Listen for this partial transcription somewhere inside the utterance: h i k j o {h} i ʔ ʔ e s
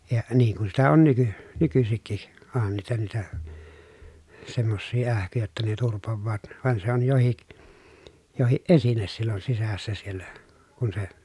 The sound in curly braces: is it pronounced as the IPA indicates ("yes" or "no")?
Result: yes